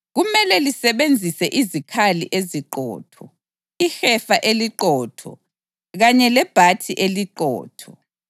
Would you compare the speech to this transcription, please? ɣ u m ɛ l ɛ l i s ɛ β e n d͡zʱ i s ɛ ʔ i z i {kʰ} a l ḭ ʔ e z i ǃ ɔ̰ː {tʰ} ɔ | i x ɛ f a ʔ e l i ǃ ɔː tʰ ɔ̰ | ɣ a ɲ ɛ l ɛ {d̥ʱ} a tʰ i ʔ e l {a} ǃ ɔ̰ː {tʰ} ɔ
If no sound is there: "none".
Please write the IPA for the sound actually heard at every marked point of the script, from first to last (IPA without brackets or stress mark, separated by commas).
kʰ, tʰ, b̥ʱ, i, tʰ